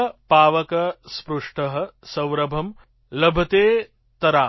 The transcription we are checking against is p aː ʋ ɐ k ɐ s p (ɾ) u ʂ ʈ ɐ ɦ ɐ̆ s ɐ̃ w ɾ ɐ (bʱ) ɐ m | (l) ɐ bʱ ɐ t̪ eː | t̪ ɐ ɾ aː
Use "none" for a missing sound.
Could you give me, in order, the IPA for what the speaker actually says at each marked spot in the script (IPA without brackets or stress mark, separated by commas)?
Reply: ɾ, bʱ, l